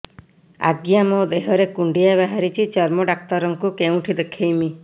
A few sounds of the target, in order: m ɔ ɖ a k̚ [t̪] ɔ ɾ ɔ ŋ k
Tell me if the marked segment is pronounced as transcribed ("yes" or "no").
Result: yes